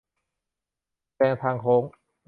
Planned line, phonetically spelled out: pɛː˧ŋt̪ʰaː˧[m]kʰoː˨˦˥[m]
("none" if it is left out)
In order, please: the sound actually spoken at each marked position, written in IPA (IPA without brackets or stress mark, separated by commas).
ŋ, ŋ